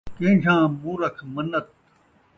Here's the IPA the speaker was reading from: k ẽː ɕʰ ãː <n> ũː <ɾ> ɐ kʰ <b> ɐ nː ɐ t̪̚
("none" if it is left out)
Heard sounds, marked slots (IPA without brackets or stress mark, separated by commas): m, ɾ, m